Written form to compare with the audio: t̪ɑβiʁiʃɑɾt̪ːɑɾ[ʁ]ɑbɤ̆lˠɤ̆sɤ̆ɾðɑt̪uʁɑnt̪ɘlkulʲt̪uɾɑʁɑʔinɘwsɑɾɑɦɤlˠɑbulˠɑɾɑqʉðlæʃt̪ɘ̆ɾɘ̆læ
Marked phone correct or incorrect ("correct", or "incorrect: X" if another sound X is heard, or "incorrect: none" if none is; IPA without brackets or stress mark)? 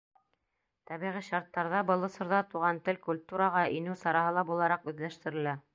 incorrect: ð